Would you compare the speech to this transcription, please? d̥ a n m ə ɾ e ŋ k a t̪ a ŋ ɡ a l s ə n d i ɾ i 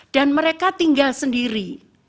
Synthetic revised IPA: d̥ a n m ə ɾ e k a t̪ i ŋ ɡ a l s ə n d i ɾ i